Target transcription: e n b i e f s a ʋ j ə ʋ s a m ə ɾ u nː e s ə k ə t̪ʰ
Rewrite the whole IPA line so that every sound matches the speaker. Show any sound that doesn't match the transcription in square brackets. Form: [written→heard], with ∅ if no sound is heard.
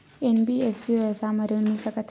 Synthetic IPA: e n b i e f s [a→i] ʋ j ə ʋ s a m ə ɾ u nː [e→i] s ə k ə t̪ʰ